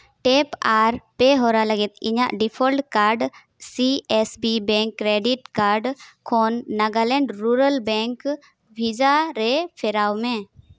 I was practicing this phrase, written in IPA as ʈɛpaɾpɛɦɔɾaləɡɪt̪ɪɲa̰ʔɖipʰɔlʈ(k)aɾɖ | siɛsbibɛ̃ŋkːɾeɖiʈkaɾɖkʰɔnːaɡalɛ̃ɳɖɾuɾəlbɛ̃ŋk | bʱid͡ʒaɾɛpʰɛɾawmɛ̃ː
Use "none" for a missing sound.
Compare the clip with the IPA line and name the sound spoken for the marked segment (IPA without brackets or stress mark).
k